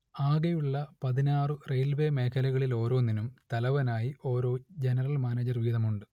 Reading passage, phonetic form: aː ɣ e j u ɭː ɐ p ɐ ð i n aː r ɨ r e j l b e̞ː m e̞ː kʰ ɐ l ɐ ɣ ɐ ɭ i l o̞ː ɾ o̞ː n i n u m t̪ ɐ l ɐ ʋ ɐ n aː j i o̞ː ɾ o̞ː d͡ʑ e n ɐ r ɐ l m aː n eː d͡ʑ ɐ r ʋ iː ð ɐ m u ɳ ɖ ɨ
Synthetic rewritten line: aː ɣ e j u ɭː ɐ p ɐ ð i n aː r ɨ r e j l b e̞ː m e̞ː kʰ ɐ l ɐ ɣ ɐ ɭ i l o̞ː ɾ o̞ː n i n u m t̪ ɐ l ɐ ʋ ɐ n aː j i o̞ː ɾ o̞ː d͡ʑ e n ɐ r ɐ l m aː n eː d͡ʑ ɐ r ʋ iː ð ɐ m u ɳ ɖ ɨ